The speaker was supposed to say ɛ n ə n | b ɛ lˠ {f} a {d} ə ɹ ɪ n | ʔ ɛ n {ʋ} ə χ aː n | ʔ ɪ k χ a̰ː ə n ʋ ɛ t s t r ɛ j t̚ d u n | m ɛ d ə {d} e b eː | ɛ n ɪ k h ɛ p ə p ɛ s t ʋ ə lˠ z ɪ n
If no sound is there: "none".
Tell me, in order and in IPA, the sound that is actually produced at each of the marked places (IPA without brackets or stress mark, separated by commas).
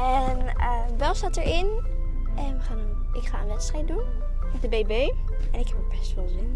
s, t, ʋ, b